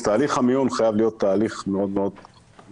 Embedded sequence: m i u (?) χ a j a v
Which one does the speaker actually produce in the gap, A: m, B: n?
B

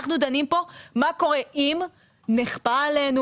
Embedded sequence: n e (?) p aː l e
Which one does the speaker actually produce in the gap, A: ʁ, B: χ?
B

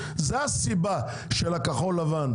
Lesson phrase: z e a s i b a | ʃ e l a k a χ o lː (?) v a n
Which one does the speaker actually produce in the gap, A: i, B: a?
B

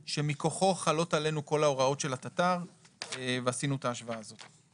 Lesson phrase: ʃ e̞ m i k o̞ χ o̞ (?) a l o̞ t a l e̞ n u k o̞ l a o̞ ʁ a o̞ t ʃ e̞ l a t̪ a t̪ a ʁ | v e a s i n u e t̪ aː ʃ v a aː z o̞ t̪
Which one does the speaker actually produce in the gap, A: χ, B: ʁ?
A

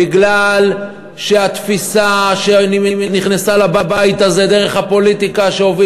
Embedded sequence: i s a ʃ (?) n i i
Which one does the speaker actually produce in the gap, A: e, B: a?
A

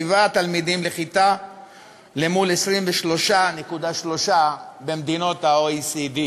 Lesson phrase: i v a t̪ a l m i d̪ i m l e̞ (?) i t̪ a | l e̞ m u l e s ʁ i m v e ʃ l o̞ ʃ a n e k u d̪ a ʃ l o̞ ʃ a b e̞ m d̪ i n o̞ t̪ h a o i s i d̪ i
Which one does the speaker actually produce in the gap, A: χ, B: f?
A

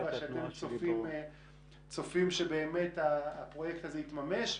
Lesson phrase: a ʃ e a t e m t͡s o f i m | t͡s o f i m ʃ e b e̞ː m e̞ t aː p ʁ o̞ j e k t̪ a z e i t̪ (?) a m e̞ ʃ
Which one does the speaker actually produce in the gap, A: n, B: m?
B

